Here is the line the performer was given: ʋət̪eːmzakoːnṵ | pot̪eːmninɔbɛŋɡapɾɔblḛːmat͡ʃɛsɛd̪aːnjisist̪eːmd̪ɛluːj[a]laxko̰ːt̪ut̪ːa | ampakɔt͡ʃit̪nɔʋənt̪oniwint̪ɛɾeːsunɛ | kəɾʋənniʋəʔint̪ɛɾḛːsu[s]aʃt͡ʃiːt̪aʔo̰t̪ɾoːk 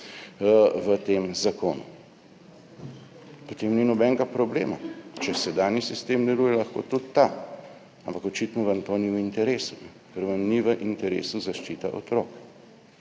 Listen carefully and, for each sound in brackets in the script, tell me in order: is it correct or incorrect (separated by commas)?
incorrect, incorrect